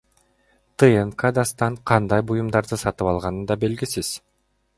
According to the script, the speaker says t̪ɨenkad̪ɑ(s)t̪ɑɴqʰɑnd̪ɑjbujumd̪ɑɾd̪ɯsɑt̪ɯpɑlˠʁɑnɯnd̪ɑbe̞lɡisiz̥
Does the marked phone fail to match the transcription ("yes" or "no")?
no